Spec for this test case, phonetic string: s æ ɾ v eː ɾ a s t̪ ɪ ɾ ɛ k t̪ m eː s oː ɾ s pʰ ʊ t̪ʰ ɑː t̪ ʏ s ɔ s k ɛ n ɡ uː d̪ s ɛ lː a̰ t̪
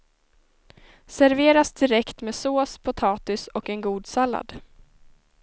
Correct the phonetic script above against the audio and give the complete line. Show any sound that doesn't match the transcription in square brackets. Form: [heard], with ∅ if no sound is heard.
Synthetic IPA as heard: s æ ɾ v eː ɾ a s [d̪] ɪ ɾ ɛ k t̪ m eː s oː [∅] s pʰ ʊ t̪ʰ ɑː t̪ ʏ s ɔ [∅] k ɛ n ɡ uː d̪ s [a] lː a̰ [d̪]